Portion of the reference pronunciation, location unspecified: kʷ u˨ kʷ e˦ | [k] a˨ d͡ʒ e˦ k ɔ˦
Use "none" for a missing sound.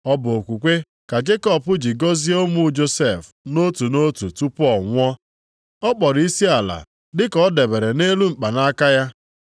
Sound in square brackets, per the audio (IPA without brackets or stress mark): k